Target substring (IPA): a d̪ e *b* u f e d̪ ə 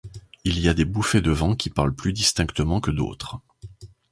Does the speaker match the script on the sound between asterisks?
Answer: yes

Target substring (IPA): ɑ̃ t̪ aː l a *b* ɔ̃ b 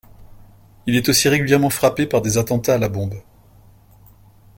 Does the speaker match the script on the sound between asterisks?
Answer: yes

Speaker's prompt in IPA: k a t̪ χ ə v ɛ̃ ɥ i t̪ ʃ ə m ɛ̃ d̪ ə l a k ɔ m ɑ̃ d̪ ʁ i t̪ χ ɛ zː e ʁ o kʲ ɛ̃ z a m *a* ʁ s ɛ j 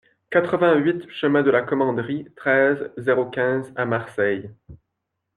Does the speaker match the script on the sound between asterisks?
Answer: yes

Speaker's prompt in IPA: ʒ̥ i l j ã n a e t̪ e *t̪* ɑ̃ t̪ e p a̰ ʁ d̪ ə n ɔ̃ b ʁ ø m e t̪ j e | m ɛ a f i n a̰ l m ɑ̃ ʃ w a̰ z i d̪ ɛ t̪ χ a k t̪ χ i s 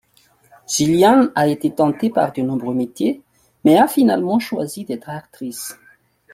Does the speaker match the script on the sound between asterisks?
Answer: yes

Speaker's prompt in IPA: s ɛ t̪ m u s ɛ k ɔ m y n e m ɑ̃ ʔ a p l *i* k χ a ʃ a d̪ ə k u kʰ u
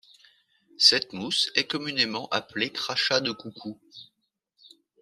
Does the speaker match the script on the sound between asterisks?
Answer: no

